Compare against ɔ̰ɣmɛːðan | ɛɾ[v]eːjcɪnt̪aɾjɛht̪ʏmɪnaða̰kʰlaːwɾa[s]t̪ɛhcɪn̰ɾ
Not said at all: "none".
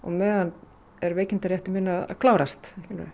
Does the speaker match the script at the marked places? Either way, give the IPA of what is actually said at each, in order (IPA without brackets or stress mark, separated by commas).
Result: v, s